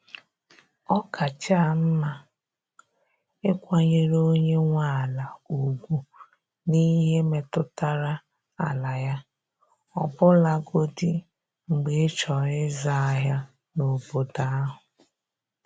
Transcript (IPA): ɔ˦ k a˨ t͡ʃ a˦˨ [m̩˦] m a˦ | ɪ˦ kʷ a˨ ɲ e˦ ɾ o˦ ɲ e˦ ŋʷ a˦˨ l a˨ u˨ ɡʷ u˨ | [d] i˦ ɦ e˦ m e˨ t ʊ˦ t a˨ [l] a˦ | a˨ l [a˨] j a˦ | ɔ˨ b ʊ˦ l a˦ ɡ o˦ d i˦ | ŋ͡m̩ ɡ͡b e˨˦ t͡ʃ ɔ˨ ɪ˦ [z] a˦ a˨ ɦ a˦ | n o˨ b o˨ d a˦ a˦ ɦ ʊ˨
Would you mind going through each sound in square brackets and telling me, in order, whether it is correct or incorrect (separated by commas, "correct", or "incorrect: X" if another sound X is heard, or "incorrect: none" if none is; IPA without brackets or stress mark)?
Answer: correct, incorrect: n, incorrect: ɾ, correct, correct